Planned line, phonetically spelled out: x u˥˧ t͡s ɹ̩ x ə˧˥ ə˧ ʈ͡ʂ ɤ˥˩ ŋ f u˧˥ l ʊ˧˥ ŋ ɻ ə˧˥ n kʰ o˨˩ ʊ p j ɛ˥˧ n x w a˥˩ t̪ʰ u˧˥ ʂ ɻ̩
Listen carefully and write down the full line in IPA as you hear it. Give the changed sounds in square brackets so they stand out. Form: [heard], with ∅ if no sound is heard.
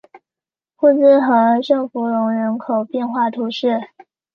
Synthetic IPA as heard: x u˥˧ t͡s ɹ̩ x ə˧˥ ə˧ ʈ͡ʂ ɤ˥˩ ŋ f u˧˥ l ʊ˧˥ ŋ ɻ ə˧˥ n kʰ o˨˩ ʊ p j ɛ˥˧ n x w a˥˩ t̪ʰ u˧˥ ʂ ɻ̩